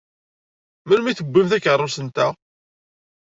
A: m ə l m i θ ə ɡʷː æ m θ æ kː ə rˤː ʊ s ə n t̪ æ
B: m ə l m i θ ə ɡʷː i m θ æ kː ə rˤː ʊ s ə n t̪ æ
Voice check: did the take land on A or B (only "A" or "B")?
B